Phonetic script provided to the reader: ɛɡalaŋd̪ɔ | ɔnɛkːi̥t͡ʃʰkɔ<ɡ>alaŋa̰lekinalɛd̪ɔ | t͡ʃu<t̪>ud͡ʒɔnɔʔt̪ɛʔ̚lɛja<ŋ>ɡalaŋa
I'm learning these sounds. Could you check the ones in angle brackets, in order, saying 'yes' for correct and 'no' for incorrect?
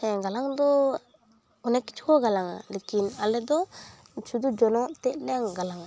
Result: yes, no, yes

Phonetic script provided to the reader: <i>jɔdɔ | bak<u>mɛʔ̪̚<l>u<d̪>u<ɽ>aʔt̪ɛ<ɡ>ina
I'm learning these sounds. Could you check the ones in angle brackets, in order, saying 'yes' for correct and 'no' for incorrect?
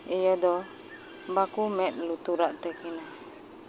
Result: yes, yes, yes, no, no, no

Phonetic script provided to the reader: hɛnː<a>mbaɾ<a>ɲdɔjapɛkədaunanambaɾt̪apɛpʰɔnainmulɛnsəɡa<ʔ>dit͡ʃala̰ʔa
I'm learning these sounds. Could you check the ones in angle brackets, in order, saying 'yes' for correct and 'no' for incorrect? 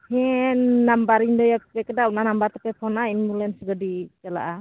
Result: yes, no, no

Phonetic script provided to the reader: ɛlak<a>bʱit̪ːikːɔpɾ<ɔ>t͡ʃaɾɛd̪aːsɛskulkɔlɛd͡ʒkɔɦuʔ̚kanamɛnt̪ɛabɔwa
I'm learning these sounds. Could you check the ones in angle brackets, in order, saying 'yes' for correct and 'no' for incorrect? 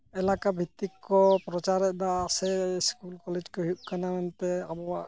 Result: yes, yes

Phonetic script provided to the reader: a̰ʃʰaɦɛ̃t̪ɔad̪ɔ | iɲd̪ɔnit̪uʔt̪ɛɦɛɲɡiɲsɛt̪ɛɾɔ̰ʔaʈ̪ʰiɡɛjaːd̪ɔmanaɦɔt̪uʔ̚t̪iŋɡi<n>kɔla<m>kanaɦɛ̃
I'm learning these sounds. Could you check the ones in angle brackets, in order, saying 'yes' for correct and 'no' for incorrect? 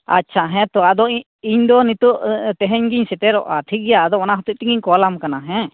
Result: no, yes

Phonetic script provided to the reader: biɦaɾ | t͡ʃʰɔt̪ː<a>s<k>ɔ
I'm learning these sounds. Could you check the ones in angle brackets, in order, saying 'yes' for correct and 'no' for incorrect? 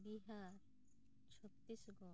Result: no, no

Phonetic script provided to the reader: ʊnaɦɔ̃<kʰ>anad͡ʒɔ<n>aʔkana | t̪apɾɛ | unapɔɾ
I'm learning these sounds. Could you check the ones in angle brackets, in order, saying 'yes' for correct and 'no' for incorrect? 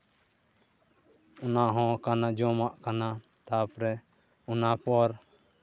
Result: no, no

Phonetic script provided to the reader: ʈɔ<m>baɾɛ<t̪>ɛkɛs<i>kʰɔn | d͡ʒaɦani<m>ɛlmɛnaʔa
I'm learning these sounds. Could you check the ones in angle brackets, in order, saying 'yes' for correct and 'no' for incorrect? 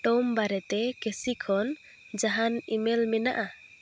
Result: yes, yes, yes, yes

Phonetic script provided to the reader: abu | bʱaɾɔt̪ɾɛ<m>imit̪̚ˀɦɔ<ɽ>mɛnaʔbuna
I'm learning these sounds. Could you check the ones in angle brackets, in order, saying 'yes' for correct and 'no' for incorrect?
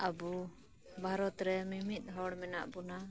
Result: yes, yes

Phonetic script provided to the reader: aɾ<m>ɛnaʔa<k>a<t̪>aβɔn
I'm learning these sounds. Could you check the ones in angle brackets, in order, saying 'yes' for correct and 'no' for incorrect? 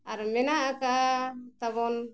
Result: yes, yes, yes

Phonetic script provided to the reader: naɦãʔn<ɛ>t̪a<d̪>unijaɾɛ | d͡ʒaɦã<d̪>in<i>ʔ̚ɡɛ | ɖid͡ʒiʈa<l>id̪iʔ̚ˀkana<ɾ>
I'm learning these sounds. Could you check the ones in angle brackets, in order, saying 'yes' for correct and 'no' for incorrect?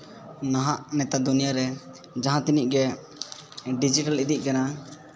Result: yes, yes, no, yes, yes, no

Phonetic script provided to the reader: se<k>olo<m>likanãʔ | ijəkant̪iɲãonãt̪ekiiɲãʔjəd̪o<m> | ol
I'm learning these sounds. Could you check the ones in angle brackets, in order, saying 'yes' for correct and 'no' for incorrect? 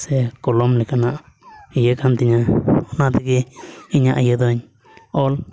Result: yes, yes, no

